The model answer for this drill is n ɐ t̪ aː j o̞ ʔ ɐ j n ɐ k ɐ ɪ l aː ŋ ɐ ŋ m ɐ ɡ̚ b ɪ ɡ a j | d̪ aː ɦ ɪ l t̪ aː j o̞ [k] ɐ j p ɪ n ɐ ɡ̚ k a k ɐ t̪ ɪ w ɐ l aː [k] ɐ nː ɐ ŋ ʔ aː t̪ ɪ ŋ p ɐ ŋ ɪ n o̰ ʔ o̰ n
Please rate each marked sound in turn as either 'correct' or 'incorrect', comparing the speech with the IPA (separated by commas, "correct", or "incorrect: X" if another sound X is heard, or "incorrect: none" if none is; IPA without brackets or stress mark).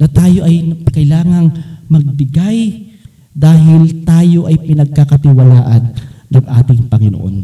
incorrect: ʔ, incorrect: ʔ